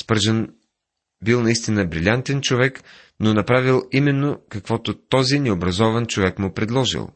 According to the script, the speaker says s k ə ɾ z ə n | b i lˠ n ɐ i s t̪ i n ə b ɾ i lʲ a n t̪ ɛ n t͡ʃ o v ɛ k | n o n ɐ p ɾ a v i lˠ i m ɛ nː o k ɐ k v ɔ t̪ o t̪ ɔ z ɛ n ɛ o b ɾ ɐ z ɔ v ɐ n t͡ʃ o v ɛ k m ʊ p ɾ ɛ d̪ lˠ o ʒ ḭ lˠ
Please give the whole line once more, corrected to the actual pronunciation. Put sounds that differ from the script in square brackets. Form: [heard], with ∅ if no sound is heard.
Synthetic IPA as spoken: s [p] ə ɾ [ʒ] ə n | b i lˠ n ɐ i s t̪ i n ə b ɾ i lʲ a n t̪ ɛ n t͡ʃ o v ɛ k | n o n ɐ p ɾ a v i lˠ i m ɛ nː o k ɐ k v ɔ t̪ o t̪ ɔ z [i] n ɛ o b ɾ ɐ z ɔ v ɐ n t͡ʃ o v ɛ k m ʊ p ɾ ɛ d̪ lˠ [ɔ] ʒ ḭ lˠ